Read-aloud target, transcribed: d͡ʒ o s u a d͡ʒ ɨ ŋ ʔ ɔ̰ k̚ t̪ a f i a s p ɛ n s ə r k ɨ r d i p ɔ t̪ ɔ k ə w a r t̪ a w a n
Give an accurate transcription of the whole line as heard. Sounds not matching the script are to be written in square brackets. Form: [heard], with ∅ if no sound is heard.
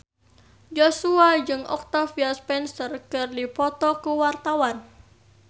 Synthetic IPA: d͡ʒ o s u a d͡ʒ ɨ ŋ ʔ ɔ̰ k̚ t̪ a f i a s p ɛ n s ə r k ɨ r d i p ɔ t̪ ɔ k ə w a r t̪ a w a n